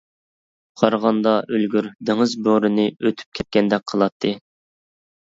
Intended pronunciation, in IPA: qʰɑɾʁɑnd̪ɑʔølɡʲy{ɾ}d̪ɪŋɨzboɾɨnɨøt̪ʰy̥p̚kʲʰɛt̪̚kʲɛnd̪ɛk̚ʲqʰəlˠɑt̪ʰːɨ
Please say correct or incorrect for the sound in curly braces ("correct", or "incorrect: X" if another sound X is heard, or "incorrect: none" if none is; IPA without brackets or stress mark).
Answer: correct